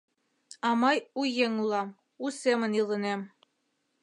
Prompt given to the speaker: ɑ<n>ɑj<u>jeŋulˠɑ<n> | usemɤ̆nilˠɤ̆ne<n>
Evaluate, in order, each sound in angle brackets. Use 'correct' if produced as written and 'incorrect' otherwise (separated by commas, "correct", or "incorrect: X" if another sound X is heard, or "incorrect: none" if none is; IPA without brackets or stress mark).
incorrect: m, correct, incorrect: m, incorrect: m